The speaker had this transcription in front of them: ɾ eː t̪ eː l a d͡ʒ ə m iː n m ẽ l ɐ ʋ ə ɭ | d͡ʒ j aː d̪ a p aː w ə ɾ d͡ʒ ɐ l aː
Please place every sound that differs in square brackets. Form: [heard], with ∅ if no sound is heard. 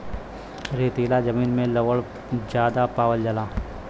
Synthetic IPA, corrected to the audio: ɾ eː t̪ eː l a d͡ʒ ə m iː n m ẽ l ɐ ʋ ə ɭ | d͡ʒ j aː d̪ a p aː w ə [l] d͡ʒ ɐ l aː